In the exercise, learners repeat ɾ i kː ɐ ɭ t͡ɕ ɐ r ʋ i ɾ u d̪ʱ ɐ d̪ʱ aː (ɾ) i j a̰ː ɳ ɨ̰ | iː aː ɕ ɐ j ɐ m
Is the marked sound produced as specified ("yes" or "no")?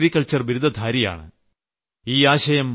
yes